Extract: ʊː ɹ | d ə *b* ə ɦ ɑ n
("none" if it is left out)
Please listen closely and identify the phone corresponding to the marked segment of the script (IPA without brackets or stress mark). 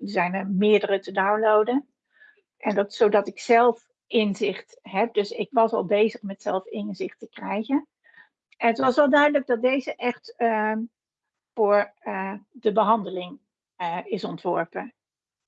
b